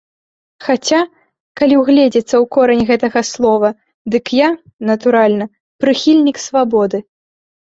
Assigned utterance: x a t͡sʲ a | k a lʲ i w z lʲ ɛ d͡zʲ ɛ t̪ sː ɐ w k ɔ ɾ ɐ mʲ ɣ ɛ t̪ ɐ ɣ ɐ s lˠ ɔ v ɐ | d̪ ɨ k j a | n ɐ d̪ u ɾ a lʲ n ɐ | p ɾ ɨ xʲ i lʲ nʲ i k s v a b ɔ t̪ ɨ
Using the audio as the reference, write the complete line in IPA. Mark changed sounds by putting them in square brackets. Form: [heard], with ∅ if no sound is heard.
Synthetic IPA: x a t͡sʲ a | k a lʲ i w [ɣ] lʲ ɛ d͡zʲ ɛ t̪ sː ɐ w k ɔ ɾ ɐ [nʲ] ɣ ɛ t̪ ɐ ɣ ɐ s lˠ ɔ v ɐ | d̪ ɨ k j a | n ɐ [t̪] u ɾ a lʲ n ɐ | p ɾ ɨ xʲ i lʲ nʲ i k s v a b ɔ [d̪] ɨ